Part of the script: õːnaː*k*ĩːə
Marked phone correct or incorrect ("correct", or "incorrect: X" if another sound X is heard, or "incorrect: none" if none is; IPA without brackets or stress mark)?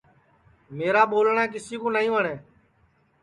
incorrect: none